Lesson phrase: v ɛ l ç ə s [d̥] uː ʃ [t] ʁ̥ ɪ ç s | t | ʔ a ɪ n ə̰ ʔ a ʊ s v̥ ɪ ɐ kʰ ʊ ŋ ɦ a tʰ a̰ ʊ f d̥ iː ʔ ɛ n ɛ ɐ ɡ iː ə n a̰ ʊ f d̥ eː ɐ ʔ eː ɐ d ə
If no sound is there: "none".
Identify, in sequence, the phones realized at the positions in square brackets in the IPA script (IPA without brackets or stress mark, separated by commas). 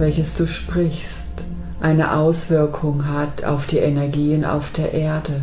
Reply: d̥, p